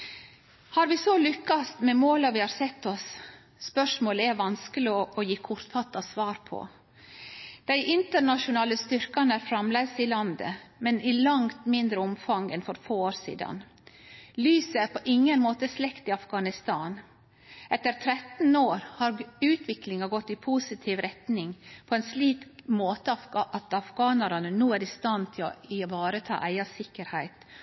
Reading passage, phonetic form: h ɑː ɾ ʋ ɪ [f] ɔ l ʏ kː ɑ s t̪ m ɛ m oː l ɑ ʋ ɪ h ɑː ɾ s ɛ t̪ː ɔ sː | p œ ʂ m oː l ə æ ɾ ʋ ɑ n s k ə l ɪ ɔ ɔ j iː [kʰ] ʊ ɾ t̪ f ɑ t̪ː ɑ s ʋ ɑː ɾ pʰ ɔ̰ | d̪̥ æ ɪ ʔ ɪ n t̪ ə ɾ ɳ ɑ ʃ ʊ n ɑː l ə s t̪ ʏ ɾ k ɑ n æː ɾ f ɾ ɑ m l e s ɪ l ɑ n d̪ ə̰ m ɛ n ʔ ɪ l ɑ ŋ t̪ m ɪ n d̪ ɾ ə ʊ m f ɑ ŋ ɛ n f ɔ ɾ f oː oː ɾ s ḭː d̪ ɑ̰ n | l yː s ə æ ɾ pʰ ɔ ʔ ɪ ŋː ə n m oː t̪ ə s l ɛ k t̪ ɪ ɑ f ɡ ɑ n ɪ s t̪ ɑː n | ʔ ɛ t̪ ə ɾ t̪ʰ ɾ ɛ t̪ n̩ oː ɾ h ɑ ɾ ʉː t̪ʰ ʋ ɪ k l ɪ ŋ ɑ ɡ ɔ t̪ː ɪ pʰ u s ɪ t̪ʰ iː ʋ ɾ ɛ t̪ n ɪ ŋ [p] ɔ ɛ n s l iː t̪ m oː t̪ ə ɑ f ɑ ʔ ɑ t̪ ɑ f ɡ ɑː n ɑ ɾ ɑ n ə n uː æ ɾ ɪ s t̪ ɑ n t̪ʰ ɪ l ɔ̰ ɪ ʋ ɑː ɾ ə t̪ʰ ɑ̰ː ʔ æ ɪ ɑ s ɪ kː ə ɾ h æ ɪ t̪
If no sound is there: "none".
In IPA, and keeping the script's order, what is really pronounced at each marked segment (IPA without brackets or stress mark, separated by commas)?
s, kʰ, pʰ